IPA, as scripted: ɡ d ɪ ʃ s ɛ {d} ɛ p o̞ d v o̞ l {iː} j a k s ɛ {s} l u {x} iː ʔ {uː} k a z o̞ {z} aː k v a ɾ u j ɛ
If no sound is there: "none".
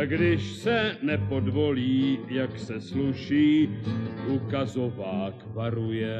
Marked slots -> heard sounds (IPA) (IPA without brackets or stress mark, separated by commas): n, iː, s, ʃ, u, v